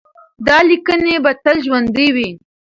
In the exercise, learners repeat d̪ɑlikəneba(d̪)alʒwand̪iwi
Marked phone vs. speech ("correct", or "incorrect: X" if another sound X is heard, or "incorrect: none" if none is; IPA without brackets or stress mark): incorrect: t̪